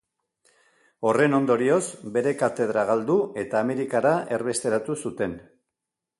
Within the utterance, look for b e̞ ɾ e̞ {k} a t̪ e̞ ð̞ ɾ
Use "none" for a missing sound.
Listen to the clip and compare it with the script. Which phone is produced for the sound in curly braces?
k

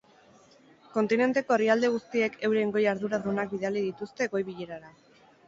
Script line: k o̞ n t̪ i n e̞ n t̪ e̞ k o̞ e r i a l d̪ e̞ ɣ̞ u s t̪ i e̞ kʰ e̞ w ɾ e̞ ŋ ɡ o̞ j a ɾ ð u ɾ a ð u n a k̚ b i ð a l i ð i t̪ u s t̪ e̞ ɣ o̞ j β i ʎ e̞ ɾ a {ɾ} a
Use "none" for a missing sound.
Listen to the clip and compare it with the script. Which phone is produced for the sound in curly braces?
ɾ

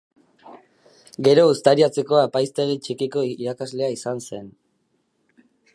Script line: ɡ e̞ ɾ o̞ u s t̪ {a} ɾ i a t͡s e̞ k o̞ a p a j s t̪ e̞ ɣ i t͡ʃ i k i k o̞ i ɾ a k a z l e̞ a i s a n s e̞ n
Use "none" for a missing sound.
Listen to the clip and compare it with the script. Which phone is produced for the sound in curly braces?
a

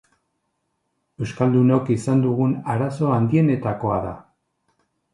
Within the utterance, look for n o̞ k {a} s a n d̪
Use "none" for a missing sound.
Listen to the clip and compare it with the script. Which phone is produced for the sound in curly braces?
i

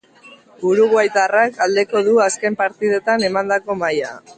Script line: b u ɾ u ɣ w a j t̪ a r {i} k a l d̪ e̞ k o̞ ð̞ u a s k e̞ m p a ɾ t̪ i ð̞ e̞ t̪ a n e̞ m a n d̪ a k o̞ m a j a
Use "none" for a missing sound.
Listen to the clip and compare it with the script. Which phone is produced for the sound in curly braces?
a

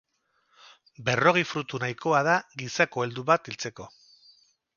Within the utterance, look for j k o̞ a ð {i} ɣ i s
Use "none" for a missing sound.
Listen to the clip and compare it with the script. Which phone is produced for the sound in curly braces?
a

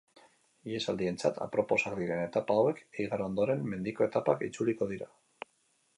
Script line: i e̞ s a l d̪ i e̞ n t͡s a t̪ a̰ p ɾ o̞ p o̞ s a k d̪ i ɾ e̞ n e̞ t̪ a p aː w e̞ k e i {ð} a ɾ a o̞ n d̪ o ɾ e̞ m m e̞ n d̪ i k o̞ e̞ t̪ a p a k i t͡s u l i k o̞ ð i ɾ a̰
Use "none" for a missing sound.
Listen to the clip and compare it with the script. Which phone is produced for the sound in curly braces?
ɣ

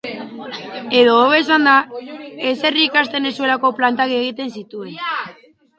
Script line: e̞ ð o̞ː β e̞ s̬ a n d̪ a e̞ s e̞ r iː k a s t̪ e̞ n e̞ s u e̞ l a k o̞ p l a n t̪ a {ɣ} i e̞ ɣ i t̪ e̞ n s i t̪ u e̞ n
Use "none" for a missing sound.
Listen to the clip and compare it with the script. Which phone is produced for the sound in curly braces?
ɣ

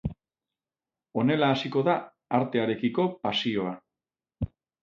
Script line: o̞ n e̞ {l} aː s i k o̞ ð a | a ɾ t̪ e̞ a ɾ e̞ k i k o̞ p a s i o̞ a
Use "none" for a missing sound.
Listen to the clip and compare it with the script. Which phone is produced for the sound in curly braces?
l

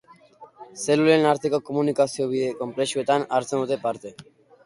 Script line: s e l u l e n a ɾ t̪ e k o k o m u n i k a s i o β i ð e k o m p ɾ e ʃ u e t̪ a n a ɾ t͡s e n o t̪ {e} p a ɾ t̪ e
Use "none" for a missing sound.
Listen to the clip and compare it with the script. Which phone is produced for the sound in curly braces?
e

